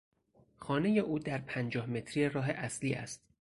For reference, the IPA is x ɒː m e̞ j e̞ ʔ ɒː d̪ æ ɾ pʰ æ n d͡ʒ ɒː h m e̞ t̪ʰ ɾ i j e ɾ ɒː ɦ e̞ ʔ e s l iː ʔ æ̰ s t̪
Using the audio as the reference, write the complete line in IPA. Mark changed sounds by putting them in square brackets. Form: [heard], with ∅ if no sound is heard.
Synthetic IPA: x ɒː [n] e̞ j e̞ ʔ [uː] d̪ æ ɾ pʰ æ n d͡ʒ ɒː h m e̞ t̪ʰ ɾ i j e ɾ ɒː ɦ e̞ ʔ [æ] s l iː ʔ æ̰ s t̪